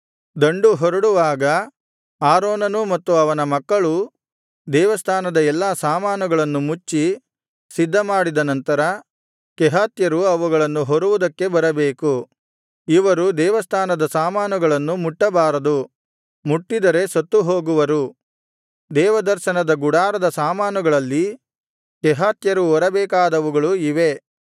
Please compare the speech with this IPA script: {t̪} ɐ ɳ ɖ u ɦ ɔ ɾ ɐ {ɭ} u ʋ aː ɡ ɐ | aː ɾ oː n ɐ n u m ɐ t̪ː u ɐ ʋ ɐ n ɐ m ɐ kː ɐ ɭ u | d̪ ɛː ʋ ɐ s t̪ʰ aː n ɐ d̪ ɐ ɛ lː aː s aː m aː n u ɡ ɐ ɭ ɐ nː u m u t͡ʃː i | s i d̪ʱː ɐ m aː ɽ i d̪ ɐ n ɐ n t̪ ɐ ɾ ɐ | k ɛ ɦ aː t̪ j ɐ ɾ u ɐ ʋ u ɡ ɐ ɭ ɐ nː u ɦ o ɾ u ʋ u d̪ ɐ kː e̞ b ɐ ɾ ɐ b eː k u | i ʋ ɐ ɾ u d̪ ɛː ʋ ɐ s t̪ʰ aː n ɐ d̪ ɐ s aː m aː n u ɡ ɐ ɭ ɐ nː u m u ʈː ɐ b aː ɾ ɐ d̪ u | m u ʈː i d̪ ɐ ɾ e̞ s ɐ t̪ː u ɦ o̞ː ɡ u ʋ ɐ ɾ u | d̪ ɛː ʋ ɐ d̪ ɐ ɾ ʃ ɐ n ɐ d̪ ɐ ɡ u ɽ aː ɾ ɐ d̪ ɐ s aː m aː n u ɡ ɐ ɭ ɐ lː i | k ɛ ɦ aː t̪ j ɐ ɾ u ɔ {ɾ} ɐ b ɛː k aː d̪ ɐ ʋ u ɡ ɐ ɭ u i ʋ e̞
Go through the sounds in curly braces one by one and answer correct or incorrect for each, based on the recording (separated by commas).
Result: incorrect, incorrect, correct